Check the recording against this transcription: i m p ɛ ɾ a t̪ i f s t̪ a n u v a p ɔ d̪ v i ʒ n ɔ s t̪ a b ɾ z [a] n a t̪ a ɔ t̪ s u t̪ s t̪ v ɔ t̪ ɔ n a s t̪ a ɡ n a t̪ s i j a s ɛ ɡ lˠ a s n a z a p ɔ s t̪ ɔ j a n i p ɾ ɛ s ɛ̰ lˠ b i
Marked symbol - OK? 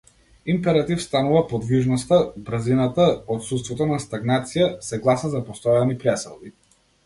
no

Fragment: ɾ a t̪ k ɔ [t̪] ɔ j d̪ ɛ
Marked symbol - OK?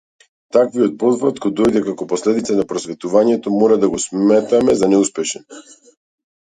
no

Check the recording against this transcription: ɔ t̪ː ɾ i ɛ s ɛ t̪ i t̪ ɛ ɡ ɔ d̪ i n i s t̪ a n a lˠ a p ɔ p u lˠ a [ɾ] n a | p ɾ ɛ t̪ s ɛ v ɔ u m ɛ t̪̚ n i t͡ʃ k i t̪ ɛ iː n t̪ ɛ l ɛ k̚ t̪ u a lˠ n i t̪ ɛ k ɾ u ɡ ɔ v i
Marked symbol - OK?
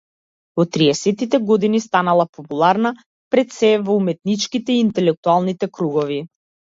yes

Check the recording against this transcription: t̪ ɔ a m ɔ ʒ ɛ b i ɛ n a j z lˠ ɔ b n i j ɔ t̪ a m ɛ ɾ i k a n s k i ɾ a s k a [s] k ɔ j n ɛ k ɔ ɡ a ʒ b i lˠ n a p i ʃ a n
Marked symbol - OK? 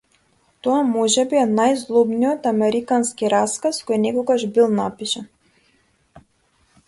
yes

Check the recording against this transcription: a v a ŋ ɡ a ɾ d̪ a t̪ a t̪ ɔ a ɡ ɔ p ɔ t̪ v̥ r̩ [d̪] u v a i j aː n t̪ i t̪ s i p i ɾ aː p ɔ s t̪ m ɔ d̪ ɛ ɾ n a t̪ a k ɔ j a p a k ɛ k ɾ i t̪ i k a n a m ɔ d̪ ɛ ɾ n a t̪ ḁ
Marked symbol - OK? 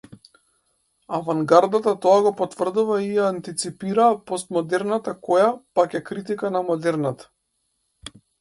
yes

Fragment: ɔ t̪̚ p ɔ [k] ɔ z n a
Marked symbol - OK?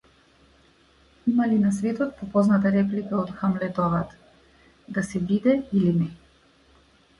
no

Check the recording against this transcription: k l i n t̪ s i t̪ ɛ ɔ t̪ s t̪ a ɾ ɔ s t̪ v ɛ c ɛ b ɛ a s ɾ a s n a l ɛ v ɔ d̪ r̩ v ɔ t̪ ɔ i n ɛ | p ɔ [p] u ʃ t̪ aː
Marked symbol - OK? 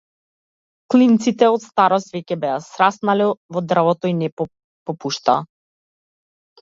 yes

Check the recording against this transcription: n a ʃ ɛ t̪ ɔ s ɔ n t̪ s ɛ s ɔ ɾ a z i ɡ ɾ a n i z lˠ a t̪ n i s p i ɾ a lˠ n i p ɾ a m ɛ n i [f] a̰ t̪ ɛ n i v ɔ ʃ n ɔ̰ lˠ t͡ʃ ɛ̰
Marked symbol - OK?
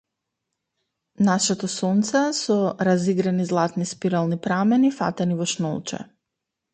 yes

